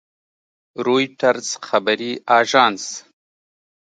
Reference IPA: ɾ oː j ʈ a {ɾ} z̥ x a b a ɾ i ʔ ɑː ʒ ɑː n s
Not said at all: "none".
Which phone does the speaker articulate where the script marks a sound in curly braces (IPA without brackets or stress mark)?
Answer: ɾ